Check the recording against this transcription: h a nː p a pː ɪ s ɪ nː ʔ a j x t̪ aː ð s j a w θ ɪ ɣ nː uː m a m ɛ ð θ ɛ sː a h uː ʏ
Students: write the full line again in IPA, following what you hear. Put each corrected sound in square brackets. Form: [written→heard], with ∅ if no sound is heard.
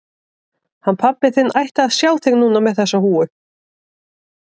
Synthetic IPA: h a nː [p→pʰ] a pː ɪ [s→θ] ɪ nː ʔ a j [x→h] t̪ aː ð s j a w θ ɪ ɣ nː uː [m→n] a m ɛ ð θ ɛ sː a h uː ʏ